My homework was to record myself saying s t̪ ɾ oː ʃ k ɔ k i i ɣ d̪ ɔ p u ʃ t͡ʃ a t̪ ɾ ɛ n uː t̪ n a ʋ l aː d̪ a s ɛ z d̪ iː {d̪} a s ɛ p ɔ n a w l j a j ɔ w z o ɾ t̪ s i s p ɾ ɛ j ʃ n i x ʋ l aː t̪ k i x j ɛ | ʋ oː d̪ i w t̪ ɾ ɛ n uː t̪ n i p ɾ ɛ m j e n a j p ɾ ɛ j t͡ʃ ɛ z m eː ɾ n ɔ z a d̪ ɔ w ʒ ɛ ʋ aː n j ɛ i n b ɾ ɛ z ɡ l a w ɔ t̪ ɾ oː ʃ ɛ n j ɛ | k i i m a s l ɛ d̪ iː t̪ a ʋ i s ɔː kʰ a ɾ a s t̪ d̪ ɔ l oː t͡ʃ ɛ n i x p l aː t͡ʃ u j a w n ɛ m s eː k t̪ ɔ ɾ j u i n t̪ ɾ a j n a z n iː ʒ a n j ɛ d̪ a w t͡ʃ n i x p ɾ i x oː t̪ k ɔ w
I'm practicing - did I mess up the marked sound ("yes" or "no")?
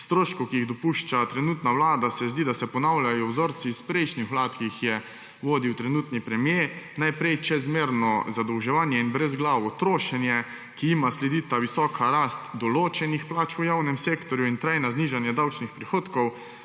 no